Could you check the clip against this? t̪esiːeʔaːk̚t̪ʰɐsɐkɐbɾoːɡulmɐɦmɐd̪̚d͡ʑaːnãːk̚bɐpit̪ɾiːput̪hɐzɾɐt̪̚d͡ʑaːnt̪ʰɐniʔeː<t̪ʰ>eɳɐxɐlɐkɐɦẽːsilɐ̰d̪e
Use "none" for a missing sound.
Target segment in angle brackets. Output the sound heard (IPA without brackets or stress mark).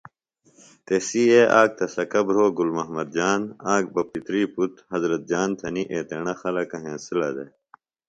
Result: t̪